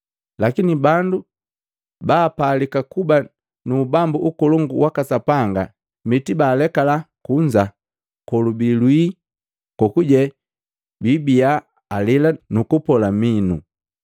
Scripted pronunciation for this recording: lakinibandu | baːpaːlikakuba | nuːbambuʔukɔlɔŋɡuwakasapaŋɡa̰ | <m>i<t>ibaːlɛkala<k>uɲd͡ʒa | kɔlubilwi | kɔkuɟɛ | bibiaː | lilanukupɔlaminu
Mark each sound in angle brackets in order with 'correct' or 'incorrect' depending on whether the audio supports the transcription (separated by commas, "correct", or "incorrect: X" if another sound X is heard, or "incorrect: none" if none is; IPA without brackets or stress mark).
correct, correct, correct